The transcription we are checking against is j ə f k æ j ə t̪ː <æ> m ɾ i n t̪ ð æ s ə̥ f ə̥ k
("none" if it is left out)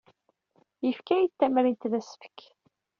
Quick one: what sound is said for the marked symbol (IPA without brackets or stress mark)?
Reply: æ